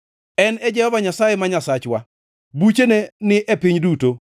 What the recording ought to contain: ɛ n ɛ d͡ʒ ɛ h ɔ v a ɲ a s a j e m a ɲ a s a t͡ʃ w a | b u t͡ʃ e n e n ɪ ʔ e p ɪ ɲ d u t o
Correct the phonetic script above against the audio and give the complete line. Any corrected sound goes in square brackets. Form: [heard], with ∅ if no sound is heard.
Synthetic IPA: ɛ n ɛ d͡ʒ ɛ h ɔ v a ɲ a s a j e m a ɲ a s a t͡ʃ w a | b u t͡ʃ e n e n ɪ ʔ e p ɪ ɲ d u t o